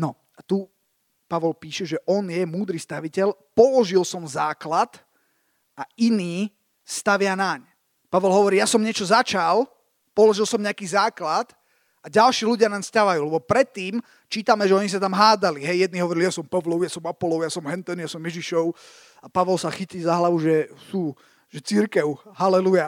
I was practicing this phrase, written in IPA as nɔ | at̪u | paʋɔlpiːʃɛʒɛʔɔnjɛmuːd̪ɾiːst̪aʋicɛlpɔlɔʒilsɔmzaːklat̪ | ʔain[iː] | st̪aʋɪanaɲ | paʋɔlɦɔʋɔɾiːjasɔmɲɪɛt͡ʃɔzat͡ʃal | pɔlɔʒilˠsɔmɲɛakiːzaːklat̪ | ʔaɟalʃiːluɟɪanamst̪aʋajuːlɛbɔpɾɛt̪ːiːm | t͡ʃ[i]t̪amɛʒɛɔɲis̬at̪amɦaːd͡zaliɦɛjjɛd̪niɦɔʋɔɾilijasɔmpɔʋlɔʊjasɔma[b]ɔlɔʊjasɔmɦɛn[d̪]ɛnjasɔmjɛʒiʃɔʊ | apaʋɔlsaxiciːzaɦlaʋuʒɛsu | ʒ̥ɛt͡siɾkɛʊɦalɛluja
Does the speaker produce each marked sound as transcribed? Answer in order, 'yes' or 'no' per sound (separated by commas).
yes, no, no, no